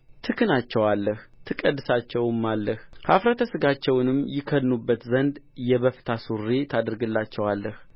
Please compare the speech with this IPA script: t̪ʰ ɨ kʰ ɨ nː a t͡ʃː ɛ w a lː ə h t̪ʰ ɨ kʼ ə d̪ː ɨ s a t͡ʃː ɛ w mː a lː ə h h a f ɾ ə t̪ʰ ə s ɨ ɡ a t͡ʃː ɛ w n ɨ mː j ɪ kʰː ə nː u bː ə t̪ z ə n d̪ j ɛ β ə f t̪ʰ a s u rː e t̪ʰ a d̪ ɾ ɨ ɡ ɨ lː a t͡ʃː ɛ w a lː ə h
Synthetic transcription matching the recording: t̪ʰ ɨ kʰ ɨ n a t͡ʃː ɛ w a lː ə h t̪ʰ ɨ kʼ ə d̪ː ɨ s a t͡ʃː ɛ w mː a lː ə h h a f ɾ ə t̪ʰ ə s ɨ ɡ a t͡ʃː ɛ w n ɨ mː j ɪ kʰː ə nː u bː ə t̪ z ə n d̪ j ɛ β ə f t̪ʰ a s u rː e t̪ʰ a d̪ ɾ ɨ ɡ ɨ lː a t͡ʃː ɛ w a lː ə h